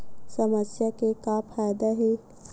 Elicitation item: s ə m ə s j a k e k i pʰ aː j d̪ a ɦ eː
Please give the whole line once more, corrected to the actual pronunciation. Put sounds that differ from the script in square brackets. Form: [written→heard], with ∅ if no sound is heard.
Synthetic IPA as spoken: s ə m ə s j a k e k [i→a] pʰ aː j d̪ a ɦ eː